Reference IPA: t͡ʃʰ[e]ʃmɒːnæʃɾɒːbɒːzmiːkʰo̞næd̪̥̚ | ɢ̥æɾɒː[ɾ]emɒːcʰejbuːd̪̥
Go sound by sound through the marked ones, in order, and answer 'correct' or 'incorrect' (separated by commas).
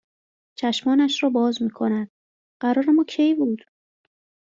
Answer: incorrect, correct